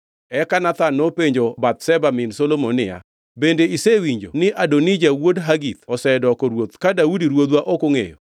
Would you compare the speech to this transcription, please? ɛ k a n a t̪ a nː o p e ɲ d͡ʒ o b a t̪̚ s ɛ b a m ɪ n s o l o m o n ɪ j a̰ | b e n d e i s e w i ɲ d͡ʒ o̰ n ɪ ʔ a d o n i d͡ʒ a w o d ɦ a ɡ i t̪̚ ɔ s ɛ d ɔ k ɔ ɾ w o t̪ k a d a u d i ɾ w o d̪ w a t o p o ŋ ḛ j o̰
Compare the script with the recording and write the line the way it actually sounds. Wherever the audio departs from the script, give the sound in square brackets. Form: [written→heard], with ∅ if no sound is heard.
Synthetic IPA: ɛ k a n a t̪ a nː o p e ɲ d͡ʒ o b a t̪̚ s ɛ b a m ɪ n s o l o m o n ɪ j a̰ | b e n d e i s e w i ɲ d͡ʒ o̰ n ɪ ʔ a d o n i d͡ʒ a w o d ɦ a ɡ i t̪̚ ɔ s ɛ d ɔ k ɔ ɾ w o t̪ k a d a u d i ɾ w o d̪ w a [t→ʔ] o [p→k] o ŋ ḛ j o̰